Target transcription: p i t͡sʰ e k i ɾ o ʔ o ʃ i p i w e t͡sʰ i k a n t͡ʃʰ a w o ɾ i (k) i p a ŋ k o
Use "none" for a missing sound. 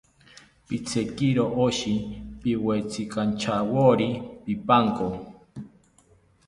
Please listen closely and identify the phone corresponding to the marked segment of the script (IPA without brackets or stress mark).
p